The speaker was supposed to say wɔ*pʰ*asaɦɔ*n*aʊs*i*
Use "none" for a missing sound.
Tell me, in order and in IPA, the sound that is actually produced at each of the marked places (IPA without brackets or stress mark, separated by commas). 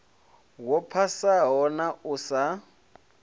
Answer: pʰ, n, a